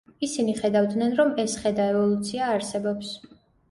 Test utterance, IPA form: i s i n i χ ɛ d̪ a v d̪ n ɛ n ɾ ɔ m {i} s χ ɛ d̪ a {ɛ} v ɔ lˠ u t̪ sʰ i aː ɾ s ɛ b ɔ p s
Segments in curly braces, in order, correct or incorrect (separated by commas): incorrect, correct